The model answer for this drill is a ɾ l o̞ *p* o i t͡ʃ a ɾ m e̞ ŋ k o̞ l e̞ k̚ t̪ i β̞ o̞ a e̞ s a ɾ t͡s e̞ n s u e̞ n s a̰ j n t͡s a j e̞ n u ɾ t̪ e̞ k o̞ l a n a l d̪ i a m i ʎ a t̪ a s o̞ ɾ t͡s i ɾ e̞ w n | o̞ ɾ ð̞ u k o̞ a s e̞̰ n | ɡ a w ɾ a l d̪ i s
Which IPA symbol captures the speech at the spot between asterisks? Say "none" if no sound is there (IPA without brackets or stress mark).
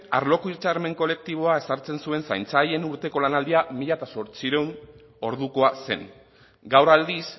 k